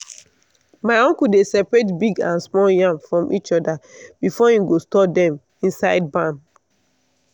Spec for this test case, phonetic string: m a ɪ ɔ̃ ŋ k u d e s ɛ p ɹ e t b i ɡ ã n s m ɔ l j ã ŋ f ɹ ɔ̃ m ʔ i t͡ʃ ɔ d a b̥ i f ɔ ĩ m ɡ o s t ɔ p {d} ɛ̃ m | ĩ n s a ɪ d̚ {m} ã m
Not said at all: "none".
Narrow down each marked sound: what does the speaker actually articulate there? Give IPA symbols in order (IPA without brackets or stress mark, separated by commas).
d, b